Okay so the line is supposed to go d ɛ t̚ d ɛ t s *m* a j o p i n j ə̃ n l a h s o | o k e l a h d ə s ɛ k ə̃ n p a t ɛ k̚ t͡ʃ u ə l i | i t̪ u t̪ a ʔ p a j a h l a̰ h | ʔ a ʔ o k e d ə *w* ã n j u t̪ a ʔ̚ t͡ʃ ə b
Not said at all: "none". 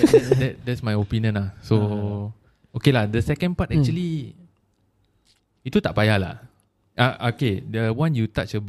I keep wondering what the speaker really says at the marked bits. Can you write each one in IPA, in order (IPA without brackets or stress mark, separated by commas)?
m, w